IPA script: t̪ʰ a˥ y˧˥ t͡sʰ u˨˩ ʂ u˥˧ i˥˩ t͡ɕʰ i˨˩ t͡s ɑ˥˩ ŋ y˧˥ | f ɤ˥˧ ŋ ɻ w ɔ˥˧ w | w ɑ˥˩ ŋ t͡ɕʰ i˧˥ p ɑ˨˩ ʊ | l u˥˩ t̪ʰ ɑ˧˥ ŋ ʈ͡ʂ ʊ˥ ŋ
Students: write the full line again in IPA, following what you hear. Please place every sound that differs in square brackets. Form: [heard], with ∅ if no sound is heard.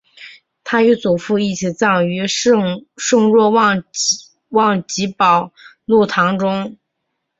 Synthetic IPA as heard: t̪ʰ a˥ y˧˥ [t͡s] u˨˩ [f] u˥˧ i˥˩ t͡ɕʰ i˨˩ t͡s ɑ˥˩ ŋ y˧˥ | [ʂ] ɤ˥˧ ŋ ɻ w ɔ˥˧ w | w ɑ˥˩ ŋ [t͡ɕ] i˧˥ p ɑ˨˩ ʊ | l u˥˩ t̪ʰ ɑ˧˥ ŋ ʈ͡ʂ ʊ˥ ŋ

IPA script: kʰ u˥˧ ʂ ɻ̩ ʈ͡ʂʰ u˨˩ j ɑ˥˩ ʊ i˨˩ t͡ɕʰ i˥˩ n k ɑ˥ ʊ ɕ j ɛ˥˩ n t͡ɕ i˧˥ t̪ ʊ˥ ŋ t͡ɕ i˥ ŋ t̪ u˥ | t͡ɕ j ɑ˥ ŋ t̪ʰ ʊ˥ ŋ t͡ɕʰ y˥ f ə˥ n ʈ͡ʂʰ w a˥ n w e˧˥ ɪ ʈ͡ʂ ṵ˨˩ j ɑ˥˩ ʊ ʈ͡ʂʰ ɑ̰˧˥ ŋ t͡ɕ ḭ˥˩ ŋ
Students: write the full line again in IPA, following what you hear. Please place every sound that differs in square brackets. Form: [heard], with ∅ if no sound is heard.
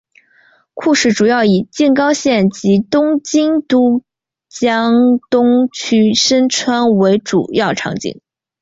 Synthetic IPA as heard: kʰ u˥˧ ʂ ɻ̩ [ʈ͡ʂ] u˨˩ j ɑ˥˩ ʊ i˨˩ [t͡ɕ] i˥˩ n k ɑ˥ ʊ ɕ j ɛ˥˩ n t͡ɕ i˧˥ t̪ ʊ˥ ŋ t͡ɕ i˥ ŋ t̪ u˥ | t͡ɕ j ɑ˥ ŋ [t̪] ʊ˥ ŋ t͡ɕʰ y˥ [ʂ] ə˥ n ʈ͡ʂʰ w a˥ n w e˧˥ ɪ ʈ͡ʂ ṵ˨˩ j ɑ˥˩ ʊ ʈ͡ʂʰ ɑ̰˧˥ ŋ t͡ɕ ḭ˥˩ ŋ

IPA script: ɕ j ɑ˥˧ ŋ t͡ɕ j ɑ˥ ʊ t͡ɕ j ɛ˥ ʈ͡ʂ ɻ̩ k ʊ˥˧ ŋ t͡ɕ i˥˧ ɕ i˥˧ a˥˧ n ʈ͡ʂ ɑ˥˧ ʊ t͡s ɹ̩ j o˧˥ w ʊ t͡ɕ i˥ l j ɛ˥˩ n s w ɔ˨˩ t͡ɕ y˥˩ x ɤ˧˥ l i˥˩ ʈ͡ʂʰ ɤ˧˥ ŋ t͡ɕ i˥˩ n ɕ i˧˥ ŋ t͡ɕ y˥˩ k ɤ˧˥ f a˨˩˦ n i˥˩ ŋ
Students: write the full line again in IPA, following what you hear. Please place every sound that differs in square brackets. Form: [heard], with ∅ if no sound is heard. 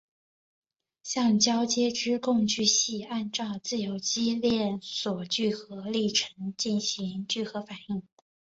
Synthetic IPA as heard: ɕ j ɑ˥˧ ŋ t͡ɕ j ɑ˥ ʊ t͡ɕ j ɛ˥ ʈ͡ʂ ɻ̩ k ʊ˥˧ ŋ t͡ɕ [y˥˧] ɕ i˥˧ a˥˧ n ʈ͡ʂ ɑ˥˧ ʊ t͡s ɹ̩ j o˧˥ [∅] ʊ t͡ɕ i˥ l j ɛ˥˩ n s w ɔ˨˩ t͡ɕ y˥˩ x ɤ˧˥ l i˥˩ ʈ͡ʂʰ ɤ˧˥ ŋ t͡ɕ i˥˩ n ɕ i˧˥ ŋ t͡ɕ y˥˩ [x] ɤ˧˥ f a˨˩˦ n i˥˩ ŋ

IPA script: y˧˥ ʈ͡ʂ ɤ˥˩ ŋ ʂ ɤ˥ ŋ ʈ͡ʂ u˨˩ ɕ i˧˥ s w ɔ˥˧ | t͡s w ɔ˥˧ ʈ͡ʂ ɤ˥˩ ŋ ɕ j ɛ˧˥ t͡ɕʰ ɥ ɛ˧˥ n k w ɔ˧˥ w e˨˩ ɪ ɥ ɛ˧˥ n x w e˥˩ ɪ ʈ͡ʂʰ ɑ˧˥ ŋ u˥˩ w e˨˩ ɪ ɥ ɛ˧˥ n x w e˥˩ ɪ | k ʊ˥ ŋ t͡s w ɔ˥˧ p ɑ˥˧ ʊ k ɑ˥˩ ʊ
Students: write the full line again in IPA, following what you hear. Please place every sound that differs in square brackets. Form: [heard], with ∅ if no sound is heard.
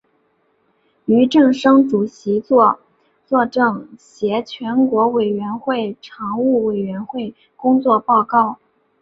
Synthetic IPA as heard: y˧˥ ʈ͡ʂ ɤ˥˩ ŋ ʂ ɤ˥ ŋ ʈ͡ʂ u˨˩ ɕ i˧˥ [t͡s] w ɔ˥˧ | t͡s w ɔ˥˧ ʈ͡ʂ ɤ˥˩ ŋ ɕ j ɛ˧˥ t͡ɕʰ ɥ ɛ˧˥ n k w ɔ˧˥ w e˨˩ ɪ ɥ ɛ˧˥ n x w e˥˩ ɪ ʈ͡ʂʰ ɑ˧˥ ŋ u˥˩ w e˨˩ ɪ ɥ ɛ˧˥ n x w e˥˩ ɪ | k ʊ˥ ŋ t͡s w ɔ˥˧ p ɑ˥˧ ʊ k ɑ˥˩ ʊ

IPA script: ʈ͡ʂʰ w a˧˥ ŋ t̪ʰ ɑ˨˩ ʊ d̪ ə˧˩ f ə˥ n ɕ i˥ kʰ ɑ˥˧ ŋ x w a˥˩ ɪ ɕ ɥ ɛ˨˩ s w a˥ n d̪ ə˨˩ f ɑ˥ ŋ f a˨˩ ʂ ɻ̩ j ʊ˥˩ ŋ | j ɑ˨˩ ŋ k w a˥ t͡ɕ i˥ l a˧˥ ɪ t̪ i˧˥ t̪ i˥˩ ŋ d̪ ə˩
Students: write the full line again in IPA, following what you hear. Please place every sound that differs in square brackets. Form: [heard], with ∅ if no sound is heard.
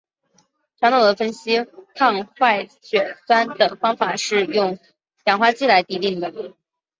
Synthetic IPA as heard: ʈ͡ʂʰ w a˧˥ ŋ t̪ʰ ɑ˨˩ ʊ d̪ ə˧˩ f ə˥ n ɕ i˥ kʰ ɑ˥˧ ŋ x w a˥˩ ɪ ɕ ɥ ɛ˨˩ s w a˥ n d̪ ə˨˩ f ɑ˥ ŋ f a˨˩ ʂ ɻ̩ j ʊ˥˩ ŋ | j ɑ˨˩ ŋ [x] w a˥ t͡ɕ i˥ l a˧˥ ɪ t̪ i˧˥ t̪ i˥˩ ŋ d̪ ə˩

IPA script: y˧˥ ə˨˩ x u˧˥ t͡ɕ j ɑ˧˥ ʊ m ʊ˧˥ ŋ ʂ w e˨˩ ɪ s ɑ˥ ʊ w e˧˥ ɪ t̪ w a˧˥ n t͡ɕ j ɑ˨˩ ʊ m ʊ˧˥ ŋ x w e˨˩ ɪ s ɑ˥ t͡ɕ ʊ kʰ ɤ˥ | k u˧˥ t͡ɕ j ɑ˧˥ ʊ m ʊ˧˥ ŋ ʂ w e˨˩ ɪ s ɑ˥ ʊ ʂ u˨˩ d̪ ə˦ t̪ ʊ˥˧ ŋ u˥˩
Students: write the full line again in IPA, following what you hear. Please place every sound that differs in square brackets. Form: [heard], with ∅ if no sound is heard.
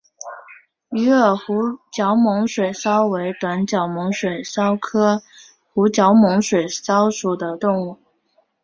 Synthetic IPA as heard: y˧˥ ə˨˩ x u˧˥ t͡ɕ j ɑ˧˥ ʊ m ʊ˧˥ ŋ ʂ w e˨˩ ɪ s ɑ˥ ʊ w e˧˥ ɪ t̪ w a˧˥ n t͡ɕ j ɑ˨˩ ʊ m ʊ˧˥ ŋ [ʂ] w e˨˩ ɪ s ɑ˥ [∅] ʊ kʰ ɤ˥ | [x] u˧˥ t͡ɕ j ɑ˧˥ ʊ m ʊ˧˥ ŋ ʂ w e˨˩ ɪ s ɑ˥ ʊ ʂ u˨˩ d̪ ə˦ t̪ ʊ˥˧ ŋ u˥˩

